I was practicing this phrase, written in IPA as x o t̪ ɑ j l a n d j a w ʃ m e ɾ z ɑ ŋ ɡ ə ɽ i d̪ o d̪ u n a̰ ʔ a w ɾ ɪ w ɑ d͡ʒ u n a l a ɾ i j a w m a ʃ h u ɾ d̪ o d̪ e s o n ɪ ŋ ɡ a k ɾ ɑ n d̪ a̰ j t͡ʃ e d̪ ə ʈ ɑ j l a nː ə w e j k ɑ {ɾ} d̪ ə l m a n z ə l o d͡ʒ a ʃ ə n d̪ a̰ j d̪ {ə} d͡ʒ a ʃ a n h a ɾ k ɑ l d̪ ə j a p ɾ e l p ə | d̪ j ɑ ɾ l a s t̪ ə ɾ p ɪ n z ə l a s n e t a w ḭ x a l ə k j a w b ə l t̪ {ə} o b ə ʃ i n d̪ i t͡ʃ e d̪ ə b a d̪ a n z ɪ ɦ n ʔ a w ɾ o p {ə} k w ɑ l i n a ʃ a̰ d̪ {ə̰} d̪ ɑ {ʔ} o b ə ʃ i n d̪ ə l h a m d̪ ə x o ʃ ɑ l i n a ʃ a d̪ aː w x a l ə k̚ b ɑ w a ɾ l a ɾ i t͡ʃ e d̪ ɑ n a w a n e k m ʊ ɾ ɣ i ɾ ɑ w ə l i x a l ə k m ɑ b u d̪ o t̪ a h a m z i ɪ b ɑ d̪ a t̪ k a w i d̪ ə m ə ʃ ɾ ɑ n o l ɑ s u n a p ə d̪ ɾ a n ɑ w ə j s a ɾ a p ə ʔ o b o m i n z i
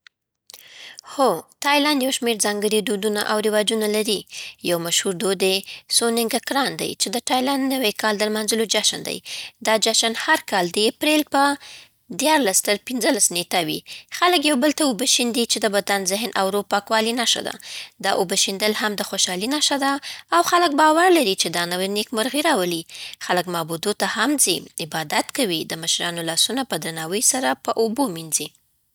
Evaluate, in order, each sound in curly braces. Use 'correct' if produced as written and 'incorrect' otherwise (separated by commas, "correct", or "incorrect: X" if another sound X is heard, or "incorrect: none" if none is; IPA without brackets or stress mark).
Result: incorrect: l, incorrect: ɑ, incorrect: a, incorrect: ɑ, incorrect: a̰, correct